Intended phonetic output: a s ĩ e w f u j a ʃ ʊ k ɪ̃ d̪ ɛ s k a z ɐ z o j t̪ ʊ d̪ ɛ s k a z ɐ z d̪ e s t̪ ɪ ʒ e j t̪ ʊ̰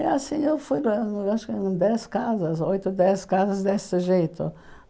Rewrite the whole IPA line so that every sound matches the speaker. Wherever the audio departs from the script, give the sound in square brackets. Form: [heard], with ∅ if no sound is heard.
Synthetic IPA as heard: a s ĩ e w f u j a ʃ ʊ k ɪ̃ d̪ ɛ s k a z ɐ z o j t̪ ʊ d̪ ɛ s k a z ɐ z d̪ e s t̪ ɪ ʒ e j t̪ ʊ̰